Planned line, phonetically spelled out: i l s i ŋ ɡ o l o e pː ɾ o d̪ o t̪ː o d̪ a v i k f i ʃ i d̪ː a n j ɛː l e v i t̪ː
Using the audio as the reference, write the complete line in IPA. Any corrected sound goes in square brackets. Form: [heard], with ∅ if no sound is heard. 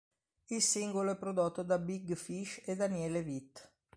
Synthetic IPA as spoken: i l s i ŋ ɡ o l o [ɛ] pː ɾ o d̪ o t̪ː o d̪ a [b] i [ɡ] f i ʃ [e] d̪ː a n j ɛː l e v i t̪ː